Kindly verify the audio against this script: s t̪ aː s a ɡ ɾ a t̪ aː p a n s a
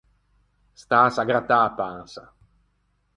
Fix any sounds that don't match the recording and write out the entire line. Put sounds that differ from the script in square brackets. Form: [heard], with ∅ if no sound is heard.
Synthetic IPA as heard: s t̪ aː s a ɡ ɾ a t̪ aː p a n s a